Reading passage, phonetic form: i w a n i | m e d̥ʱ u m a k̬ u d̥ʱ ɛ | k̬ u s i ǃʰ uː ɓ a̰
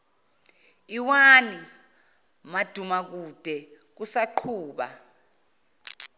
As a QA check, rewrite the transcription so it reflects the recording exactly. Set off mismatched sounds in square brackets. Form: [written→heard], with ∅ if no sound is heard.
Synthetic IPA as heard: i w a n i | m [e→a] d̥ʱ u m a k̬ u d̥ʱ ɛ | k̬ u s [i→a] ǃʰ uː ɓ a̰